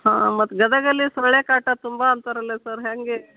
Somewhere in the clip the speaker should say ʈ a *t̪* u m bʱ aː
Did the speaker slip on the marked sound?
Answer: no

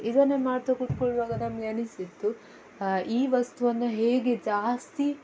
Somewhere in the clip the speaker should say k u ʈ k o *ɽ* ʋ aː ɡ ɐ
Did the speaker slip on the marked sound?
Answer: yes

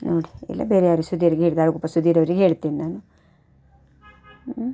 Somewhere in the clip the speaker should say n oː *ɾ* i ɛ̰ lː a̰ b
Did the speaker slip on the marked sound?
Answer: yes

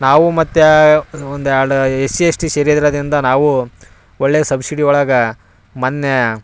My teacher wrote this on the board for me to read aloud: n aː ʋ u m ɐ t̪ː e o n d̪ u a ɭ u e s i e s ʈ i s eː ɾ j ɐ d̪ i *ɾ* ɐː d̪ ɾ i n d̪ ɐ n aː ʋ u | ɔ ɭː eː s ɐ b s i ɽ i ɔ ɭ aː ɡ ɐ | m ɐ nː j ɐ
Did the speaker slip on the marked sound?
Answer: no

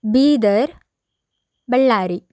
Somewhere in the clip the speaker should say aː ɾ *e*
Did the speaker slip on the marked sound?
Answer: yes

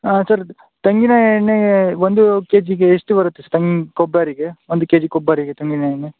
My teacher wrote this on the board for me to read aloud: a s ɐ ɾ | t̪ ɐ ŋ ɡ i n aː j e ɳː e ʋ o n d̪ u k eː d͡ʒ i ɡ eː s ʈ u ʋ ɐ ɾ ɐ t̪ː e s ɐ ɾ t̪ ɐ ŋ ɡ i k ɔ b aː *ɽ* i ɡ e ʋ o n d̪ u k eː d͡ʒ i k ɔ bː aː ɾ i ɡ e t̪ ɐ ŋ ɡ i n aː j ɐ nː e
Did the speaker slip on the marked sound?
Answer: yes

